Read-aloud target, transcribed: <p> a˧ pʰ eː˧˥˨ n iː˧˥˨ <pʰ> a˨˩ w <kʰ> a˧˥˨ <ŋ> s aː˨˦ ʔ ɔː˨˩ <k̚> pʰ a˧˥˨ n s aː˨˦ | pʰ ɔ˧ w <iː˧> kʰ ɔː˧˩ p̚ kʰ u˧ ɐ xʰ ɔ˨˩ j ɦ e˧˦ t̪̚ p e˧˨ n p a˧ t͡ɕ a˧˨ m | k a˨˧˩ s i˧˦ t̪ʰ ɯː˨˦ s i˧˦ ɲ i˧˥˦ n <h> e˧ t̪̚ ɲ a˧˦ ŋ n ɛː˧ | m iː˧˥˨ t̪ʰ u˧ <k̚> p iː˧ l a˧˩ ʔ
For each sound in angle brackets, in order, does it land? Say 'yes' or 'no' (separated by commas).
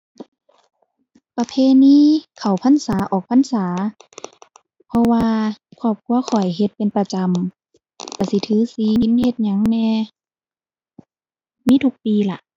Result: yes, no, no, no, yes, no, yes, yes